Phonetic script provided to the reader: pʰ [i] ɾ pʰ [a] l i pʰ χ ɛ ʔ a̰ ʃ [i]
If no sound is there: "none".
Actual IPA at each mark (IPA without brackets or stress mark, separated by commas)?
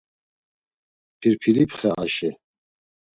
i, i, ɛ